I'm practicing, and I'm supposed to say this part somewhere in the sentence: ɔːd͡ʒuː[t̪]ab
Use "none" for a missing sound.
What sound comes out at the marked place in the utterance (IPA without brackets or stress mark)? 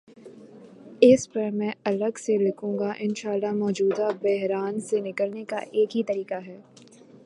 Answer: d̪